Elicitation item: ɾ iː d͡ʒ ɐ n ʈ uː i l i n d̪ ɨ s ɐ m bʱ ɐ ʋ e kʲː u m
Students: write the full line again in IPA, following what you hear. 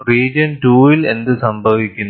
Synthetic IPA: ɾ iː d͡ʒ ɐ n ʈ uː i l e n d̪ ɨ s ɐ m bʱ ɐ ʋ i kʲː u n